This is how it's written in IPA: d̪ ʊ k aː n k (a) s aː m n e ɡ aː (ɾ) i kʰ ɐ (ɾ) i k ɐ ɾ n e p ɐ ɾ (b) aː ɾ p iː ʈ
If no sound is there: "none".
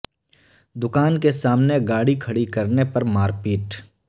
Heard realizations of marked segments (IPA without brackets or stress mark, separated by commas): e, ɽ, ɽ, m